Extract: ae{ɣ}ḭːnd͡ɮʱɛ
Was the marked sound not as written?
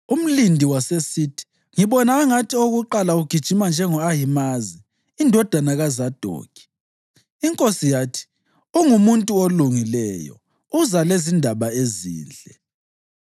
yes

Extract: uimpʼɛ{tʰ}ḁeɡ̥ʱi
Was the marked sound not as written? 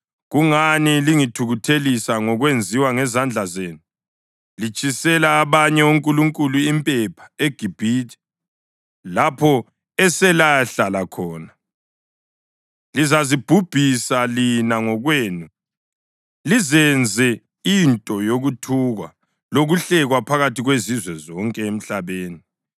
yes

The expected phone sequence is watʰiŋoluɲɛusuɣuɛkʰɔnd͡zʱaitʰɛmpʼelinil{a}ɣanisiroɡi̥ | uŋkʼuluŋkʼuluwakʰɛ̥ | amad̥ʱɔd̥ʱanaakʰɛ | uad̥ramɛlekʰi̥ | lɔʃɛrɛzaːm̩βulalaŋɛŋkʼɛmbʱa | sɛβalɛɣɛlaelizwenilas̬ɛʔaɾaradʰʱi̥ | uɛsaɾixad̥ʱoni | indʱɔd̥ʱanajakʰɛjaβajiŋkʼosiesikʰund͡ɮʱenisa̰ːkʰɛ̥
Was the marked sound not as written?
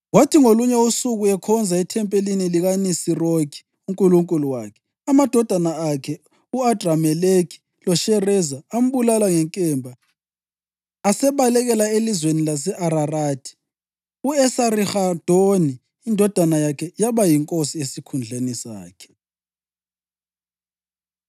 yes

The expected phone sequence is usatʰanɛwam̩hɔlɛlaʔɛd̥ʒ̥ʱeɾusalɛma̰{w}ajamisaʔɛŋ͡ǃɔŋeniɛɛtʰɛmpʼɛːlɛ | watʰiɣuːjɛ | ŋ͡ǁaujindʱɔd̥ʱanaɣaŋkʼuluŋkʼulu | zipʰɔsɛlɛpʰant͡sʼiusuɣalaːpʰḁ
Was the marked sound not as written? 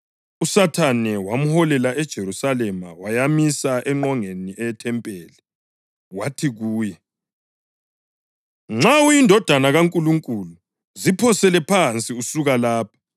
no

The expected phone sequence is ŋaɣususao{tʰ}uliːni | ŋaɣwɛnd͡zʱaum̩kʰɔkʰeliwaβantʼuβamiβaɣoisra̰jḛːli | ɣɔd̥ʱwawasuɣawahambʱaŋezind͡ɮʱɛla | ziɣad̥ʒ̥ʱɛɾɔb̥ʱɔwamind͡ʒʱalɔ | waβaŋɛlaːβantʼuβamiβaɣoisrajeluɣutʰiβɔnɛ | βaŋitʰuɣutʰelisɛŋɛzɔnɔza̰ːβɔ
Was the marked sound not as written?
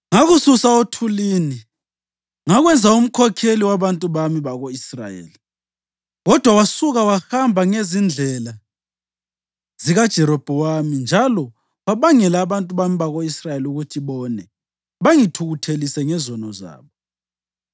no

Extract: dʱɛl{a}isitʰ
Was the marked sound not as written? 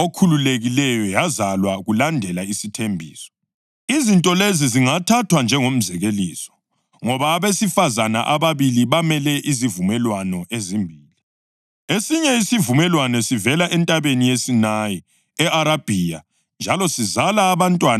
no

